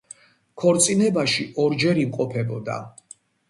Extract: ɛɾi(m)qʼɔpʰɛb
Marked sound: correct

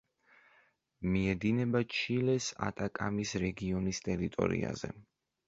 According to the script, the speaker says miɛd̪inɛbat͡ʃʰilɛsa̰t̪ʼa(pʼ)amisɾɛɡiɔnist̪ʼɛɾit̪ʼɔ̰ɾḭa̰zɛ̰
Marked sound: incorrect: kʼ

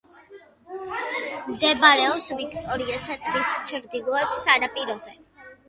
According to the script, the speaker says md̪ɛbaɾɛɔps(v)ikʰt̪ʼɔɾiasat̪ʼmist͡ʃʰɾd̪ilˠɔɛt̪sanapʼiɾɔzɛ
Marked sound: correct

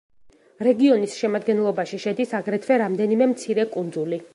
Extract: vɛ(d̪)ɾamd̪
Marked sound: incorrect: none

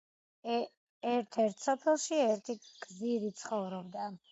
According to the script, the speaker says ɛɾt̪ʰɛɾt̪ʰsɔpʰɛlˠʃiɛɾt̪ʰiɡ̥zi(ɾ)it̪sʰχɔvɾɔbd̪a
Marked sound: correct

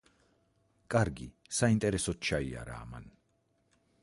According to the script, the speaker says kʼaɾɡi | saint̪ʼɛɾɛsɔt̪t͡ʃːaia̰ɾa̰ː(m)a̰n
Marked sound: correct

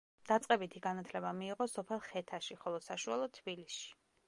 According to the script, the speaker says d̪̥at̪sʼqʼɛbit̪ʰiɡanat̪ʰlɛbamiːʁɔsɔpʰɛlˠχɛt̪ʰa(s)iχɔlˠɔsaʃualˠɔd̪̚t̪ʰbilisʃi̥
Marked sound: incorrect: ʃ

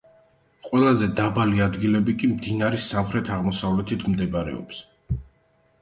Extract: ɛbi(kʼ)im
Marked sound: correct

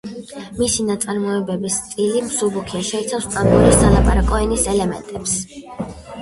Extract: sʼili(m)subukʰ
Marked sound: correct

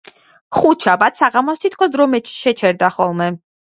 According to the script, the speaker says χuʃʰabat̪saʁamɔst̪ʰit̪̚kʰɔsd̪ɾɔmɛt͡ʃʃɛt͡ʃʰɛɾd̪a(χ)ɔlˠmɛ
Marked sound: correct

